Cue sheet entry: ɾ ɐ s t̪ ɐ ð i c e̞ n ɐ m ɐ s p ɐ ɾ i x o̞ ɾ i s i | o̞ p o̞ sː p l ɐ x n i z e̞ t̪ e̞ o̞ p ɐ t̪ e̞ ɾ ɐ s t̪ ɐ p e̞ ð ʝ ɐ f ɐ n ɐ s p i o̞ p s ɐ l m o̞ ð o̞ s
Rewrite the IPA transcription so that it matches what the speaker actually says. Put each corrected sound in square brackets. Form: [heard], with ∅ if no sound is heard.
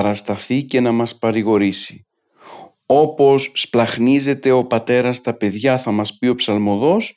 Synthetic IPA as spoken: ɾ ɐ s t̪ ɐ [θ] i c e̞ n ɐ m ɐ s p ɐ ɾ i [ɣ] o̞ ɾ i s i | o̞ p o̞ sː p l ɐ x n i z e̞ t̪ e̞ o̞ p ɐ t̪ e̞ ɾ ɐ s t̪ ɐ p e̞ ð ʝ ɐ [θ] ɐ [m] ɐ s p i o̞ p s ɐ l m o̞ ð o̞ s